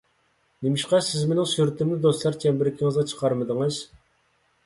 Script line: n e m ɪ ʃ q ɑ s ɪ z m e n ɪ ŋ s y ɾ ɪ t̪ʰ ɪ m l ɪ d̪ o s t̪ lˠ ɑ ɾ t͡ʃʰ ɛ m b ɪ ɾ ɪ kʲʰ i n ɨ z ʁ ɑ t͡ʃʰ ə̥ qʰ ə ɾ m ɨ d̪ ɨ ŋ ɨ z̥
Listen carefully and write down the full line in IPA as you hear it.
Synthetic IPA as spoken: n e m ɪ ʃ q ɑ s ɪ z m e n ɪ ŋ s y ɾ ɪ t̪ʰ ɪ m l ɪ d̪ o s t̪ lˠ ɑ ɾ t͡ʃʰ ɛ m b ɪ ɾ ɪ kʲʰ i ŋ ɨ z ʁ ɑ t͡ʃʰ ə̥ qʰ ɑ ɾ m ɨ d̪ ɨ ŋ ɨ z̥